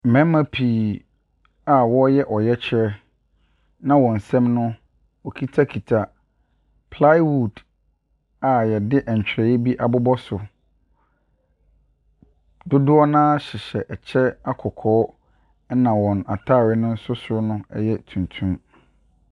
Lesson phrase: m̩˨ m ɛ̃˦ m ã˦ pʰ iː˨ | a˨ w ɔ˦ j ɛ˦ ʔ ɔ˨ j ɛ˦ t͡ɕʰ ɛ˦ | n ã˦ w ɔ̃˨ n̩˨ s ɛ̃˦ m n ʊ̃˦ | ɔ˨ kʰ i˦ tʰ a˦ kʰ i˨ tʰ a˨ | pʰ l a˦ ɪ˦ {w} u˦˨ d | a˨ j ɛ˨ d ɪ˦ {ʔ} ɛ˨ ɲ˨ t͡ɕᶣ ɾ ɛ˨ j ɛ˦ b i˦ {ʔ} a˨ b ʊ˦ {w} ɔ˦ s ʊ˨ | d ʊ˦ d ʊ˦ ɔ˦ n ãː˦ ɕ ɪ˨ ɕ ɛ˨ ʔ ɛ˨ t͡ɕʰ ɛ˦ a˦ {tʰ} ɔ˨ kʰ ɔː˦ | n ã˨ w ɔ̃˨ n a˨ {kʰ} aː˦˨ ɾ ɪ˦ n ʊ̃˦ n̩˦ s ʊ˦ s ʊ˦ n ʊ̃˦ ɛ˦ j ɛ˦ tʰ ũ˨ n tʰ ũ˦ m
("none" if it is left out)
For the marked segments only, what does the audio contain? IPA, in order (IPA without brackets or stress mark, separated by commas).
w, ʔ, ʔ, b, kʰ, tʰ